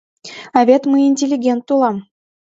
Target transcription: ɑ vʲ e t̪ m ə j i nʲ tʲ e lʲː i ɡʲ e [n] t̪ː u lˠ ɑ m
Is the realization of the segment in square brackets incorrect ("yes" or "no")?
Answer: no